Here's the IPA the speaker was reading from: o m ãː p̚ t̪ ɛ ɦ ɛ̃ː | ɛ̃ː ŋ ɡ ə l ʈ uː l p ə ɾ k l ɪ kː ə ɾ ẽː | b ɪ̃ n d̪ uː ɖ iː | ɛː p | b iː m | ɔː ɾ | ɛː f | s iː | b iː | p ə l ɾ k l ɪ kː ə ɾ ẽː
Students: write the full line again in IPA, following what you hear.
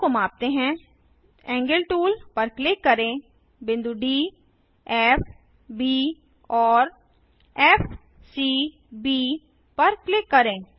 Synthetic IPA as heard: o m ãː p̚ t̪ e ɦ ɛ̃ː | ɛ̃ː ŋ ɡ ə l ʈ uː l p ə ɾ k l ɪ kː ə ɾ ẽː | b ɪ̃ n d̪ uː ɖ iː | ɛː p | b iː | ɔː ɾ | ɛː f | s iː | b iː | p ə ɾ k l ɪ kː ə ɾ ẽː